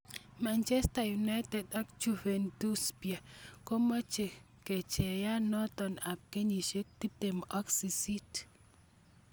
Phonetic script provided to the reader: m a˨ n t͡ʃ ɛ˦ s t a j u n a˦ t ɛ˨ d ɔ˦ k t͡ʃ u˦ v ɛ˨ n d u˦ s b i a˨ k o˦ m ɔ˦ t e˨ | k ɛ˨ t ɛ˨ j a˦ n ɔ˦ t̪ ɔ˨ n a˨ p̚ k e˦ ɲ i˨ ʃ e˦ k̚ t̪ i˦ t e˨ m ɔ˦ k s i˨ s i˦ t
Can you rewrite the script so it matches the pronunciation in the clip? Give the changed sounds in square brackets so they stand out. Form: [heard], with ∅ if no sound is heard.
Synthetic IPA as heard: m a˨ n t͡ʃ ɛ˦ s t a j u n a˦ t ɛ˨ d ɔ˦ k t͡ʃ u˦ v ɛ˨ n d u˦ s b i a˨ k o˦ m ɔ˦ [t͡ʃ] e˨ | k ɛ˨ [t͡ʃ] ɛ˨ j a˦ n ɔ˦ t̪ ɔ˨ n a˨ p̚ k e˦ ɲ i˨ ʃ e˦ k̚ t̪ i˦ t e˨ m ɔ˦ k s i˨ s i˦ t